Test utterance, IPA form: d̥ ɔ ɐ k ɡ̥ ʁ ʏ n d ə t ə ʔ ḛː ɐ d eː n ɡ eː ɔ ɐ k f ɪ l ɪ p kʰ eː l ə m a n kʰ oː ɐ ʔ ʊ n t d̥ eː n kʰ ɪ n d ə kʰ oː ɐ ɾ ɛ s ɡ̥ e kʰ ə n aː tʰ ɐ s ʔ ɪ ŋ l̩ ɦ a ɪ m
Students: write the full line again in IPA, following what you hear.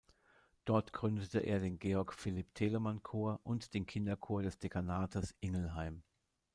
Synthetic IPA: d̥ ɔ ɐ t ɡ̥ ʁ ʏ n d ə t ə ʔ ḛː ɐ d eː n ɡ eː ɔ ɐ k f ɪ l ɪ p tʰ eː l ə m a n kʰ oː ɐ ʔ ʊ n t d̥ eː n kʰ ɪ n d ɐ kʰ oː ɐ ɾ ɛ s d̥ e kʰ a n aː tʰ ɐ s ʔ ɪ ŋ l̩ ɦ a ɪ m

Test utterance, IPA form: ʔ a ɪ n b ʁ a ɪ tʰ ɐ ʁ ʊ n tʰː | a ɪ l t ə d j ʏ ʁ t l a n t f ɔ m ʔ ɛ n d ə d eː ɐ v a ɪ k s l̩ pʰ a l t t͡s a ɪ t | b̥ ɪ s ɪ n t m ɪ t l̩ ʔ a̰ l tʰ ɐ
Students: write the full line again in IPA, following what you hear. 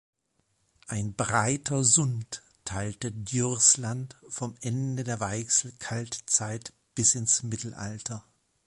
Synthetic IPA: ʔ a ɪ n b ʁ a ɪ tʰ ɐ z ʊ n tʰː | a ɪ l t ə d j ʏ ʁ s l a n t f ɔ m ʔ ɛ n d ə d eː ɐ v a ɪ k s l̩ kʰ a l t t͡s a ɪ t | b̥ ɪ s ɪ n s m ɪ t l̩ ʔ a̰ l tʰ ɐ

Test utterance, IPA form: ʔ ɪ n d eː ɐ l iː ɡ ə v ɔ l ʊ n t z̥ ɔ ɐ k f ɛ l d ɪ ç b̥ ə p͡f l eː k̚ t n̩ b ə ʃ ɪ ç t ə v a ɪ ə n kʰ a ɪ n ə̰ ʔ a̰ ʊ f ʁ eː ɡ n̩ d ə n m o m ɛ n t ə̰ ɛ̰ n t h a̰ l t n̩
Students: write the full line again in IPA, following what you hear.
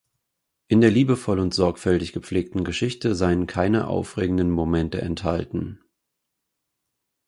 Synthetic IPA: ʔ ɪ n d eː ɐ l iː b ə f ɔ l ʊ n t z̥ ɔ ɐ k f ɛ l t ɪ ç ɡ̥ ə p͡f l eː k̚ t n̩ ɡ ə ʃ ɪ ç t ə z a ɪ ə n kʰ a ɪ n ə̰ ʔ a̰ ʊ f ʁ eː ɡ ŋ̩ d ə n m o m ɛ n t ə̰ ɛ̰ n t h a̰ l t n̩

